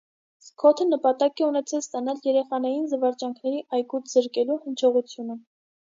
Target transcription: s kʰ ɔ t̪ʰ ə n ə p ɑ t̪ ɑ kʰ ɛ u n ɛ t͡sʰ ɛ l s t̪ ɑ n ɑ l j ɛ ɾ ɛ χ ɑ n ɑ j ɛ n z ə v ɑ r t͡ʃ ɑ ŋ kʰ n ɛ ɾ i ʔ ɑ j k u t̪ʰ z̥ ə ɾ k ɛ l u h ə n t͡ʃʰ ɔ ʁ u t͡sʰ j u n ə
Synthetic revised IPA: s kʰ ɔ t̪ʰ ə n ə p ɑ t̪ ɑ k ɛ u n ɛ t͡sʰ ɛ l s t̪ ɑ n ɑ l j ɛ ɾ ɛ χ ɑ n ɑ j i n z ə v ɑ ɾ t͡ʃ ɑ ŋ kʰ n ɛ ɾ i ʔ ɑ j k u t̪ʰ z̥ ə ɾ k ɛ l u h ə n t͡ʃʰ ɔ ʁ u t͡sʰ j u n ə